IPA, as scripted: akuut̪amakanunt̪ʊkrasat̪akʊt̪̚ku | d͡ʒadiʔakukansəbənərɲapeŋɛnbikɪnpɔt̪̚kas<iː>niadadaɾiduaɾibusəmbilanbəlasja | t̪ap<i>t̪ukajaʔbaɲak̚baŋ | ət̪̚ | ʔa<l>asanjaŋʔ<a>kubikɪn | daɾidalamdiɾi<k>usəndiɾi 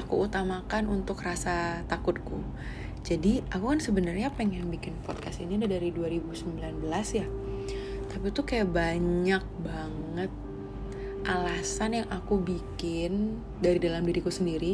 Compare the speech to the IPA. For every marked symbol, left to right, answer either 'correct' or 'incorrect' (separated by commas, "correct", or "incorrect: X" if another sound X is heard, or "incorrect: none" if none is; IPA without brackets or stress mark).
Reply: incorrect: i, correct, correct, correct, correct